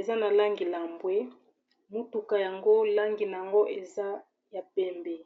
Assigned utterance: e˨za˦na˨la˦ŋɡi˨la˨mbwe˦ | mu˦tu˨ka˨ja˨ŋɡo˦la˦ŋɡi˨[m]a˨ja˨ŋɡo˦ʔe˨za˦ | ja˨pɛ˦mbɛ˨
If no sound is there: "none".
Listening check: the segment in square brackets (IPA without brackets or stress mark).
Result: n